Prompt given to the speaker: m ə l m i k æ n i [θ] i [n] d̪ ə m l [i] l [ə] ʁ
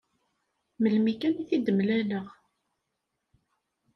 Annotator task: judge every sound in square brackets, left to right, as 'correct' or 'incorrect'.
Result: correct, incorrect: none, incorrect: æ, correct

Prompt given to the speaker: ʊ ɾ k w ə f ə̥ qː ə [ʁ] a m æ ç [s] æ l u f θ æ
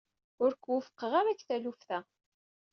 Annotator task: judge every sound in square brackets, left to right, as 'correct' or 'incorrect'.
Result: correct, incorrect: θ

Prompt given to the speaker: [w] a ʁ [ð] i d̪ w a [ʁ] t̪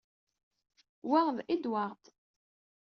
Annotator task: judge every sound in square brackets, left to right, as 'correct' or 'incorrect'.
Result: correct, correct, correct

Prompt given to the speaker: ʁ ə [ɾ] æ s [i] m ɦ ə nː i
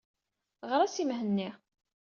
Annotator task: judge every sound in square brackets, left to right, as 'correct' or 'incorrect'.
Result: correct, correct

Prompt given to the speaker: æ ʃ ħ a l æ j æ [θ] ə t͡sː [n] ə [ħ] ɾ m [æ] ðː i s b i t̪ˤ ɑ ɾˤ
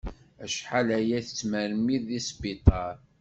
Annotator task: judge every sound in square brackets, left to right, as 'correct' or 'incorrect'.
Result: correct, incorrect: m, incorrect: none, incorrect: i

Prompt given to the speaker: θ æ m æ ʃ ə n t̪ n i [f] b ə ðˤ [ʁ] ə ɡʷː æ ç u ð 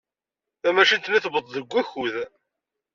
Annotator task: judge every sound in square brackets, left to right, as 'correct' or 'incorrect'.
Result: incorrect: θ, incorrect: ð

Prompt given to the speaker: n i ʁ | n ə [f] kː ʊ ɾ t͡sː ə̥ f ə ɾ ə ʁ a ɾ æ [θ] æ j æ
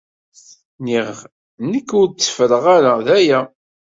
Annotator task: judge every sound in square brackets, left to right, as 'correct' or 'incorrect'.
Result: incorrect: none, incorrect: ð

